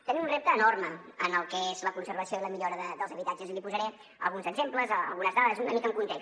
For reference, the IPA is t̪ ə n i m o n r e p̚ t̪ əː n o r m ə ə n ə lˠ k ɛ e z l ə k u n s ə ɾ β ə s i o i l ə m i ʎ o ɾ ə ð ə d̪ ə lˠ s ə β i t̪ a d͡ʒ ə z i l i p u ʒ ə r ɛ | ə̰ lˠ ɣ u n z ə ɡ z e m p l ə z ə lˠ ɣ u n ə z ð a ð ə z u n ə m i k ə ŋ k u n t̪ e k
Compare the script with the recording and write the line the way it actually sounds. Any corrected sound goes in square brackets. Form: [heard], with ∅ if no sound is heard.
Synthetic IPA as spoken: t̪ ə n i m [u] n r e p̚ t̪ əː n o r m ə ə n ə lˠ k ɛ e z l ə k u n s ə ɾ β ə s i o i l ə m i ʎ o ɾ ə ð ə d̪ ə lˠ [z] ə β i t̪ a d͡ʒ ə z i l i p u [z] ə [ɾ] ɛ | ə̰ lˠ ɣ u n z ə ɡ z e m p l ə z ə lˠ ɣ u n ə z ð a ð ə z u n ə m i k ə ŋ k u n t̪ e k